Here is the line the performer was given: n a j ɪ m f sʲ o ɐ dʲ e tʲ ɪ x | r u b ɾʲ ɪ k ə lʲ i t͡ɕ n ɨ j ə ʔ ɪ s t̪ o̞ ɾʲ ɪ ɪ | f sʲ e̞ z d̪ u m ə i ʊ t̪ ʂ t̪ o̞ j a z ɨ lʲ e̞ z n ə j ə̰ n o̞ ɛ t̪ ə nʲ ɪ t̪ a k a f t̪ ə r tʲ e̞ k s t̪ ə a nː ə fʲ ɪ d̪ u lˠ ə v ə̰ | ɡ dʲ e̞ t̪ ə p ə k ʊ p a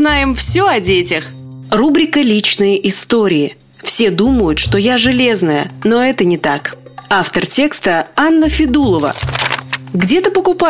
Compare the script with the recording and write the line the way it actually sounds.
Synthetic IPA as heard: n a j ɪ m f sʲ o ɐ dʲ e tʲ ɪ x | r u b ɾʲ ɪ k ə lʲ i t͡ɕ n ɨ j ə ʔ ɪ s t̪ o̞ ɾʲ ɪ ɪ | f sʲ e̞ d̪ u m ə j ʊ t̪ ʂ t̪ o̞ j a ʐ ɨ lʲ e̞ z n ə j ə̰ n o̞ ɛ t̪ ə nʲ ɪ t̪ a k a f t̪ ə r tʲ e̞ k s t̪ ə a nː ə fʲ ɪ d̪ u lˠ ə v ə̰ | ɡ dʲ e̞ t̪ ə p ə k ʊ p a